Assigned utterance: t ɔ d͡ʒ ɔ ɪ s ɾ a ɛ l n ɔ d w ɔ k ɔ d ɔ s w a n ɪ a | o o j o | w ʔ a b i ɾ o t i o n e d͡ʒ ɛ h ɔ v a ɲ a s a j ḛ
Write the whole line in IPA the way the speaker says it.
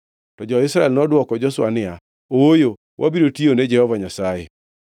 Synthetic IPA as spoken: t ɔ d͡ʒ ɔ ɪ s ɾ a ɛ l n ɔ d w ɔ k ɔ d͡ʒ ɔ s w a n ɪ a | o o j o | w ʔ a b i ɾ o t i o n e d͡ʒ ɛ h ɔ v a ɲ a s a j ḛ